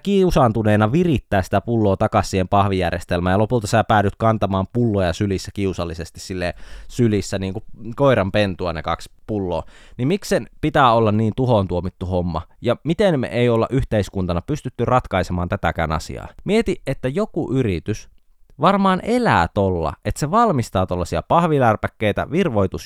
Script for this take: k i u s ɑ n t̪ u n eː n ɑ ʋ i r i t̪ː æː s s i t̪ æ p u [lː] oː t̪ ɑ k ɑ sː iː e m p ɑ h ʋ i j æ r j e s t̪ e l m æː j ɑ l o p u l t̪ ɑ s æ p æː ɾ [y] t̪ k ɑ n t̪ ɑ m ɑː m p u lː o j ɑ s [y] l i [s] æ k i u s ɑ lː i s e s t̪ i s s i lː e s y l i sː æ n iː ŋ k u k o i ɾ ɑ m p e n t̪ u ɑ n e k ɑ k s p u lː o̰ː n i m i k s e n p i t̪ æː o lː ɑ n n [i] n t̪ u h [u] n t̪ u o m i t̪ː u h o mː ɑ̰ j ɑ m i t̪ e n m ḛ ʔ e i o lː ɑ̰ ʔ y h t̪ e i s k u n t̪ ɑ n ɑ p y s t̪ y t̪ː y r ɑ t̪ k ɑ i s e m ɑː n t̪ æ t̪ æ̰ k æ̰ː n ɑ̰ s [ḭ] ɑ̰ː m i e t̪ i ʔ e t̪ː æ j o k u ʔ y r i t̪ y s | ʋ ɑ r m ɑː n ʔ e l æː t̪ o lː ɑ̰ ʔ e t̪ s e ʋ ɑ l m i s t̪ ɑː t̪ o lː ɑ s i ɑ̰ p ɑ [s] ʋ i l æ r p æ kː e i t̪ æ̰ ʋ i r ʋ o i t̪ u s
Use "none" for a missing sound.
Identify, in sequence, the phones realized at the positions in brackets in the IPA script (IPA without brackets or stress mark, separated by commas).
lː, y, y, sː, iː, o, ḭ, h